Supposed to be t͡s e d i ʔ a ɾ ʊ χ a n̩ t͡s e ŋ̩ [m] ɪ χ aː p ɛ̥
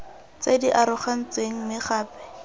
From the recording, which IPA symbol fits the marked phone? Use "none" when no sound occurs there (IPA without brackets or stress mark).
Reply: m